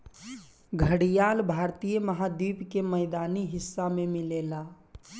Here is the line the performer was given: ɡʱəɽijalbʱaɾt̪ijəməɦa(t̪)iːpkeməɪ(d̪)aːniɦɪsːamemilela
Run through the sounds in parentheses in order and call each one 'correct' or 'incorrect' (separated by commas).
incorrect, correct